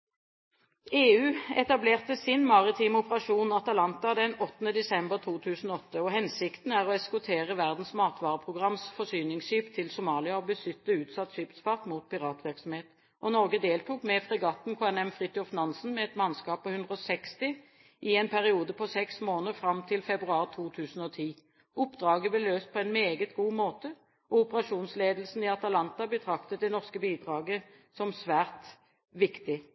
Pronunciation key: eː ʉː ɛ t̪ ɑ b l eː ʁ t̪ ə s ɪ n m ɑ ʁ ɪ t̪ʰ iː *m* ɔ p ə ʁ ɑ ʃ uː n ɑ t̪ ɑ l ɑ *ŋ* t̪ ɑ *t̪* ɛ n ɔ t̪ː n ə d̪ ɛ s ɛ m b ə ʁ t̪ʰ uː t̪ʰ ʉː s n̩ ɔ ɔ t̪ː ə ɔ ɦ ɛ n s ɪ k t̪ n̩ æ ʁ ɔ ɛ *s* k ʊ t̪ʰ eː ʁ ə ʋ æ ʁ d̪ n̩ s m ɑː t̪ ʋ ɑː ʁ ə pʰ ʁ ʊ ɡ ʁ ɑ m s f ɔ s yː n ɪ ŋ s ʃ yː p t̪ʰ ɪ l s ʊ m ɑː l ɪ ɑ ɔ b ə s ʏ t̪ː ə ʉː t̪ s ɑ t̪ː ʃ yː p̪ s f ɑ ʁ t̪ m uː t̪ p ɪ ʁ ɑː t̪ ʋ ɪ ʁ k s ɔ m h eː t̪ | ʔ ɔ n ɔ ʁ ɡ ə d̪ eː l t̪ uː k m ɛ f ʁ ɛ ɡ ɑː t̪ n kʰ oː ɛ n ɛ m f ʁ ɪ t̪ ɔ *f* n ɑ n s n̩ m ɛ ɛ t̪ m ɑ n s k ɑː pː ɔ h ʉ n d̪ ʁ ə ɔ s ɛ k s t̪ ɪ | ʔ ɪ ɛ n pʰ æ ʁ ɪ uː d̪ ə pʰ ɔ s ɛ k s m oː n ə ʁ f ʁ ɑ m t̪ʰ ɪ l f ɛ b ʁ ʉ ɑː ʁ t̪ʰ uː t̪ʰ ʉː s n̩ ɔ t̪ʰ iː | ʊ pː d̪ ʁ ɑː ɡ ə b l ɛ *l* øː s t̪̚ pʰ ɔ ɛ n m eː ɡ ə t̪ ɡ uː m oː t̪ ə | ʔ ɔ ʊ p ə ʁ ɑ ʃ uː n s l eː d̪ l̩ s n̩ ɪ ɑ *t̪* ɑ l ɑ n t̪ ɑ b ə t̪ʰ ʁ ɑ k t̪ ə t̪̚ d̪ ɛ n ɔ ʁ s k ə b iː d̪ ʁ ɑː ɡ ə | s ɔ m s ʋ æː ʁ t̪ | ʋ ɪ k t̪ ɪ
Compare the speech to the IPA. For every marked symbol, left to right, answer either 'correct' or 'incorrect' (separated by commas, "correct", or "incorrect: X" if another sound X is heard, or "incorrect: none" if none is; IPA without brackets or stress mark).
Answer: correct, incorrect: n, incorrect: d̪, correct, correct, correct, correct